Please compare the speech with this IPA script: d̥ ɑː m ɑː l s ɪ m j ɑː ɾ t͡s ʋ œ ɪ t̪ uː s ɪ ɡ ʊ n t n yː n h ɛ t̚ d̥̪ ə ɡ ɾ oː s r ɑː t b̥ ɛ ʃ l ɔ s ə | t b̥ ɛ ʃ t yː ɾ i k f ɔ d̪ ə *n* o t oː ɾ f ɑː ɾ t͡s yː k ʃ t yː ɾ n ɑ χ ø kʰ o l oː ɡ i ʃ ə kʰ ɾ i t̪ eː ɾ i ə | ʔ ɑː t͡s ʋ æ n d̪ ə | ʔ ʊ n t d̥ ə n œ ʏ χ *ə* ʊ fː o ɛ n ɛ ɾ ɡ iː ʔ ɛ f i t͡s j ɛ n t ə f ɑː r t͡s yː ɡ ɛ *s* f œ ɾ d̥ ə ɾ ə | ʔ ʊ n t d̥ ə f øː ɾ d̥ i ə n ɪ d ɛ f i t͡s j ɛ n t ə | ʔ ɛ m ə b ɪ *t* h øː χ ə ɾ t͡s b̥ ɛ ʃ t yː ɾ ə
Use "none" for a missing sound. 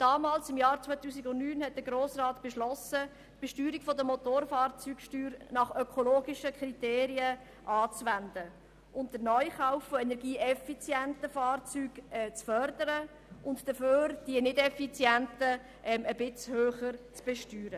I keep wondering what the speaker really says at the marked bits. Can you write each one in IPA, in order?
m, a, t͡s, t͡s

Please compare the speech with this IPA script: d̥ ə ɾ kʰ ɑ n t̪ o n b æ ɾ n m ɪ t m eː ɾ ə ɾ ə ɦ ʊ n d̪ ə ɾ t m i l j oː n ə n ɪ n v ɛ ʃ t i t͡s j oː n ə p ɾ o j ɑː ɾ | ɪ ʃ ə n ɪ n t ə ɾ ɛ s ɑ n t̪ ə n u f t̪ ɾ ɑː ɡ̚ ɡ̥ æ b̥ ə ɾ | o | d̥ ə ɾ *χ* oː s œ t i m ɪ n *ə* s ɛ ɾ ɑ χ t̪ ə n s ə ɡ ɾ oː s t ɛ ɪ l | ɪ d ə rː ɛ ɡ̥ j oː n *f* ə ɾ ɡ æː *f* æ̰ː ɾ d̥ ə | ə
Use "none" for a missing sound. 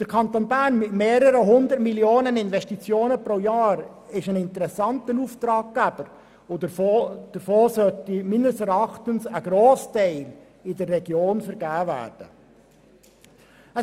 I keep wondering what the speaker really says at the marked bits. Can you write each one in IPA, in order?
f, ə, f, v

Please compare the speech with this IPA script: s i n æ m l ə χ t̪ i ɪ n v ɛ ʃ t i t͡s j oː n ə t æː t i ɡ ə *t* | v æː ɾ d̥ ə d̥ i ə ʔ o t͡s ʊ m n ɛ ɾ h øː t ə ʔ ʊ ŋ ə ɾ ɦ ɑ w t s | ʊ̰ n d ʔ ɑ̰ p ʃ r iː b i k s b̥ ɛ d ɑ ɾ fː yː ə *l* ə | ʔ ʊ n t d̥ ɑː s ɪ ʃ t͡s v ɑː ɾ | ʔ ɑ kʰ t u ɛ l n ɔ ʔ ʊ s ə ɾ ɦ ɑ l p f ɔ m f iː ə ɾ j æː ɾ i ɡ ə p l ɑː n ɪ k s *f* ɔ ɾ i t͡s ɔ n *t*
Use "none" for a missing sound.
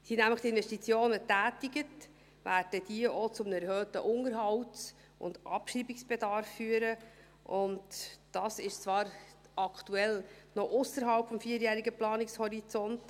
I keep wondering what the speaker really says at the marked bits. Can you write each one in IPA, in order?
t, ɾ, h, t

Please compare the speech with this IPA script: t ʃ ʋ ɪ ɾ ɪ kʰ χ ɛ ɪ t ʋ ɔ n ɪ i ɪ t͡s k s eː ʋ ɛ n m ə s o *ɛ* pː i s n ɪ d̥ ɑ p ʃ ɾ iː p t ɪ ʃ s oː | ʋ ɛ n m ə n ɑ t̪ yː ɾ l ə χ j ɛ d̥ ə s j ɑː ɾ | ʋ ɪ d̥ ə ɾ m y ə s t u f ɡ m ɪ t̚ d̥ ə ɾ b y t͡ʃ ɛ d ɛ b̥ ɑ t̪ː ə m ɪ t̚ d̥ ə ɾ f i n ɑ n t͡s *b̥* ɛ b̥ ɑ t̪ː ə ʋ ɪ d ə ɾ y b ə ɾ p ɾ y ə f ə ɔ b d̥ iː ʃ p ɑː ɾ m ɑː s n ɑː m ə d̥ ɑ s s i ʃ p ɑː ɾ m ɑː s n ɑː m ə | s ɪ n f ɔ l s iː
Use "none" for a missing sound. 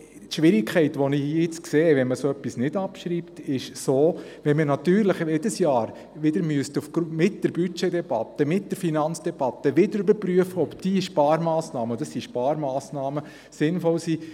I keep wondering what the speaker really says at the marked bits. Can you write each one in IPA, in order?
œ, d̥

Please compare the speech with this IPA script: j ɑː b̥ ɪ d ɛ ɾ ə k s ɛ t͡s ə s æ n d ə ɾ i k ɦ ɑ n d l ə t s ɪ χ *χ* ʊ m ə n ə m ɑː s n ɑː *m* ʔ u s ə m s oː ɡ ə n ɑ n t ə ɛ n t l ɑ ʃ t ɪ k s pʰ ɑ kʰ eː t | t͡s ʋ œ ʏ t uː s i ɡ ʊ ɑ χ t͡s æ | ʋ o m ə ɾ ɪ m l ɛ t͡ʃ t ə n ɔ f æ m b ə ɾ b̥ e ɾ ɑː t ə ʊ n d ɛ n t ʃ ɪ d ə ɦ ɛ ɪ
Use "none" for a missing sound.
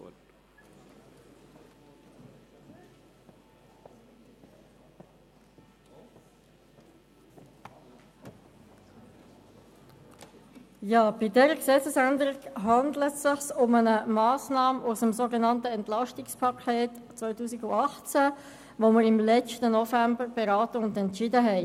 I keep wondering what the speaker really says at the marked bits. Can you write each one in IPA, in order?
s, m

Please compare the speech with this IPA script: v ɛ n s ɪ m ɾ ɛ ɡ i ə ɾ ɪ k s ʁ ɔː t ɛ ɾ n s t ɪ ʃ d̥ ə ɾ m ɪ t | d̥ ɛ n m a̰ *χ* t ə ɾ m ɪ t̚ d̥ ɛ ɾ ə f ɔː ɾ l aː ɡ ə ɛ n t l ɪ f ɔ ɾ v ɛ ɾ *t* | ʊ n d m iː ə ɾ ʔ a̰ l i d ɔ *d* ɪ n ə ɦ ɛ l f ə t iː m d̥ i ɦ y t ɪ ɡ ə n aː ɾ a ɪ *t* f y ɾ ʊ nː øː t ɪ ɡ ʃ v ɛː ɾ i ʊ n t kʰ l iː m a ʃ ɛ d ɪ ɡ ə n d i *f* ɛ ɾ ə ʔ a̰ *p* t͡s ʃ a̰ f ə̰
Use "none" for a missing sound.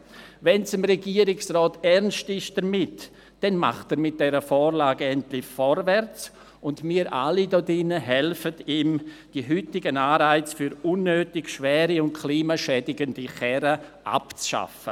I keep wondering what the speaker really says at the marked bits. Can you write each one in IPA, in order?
χ, t͡s, d, t͡s, χ, p

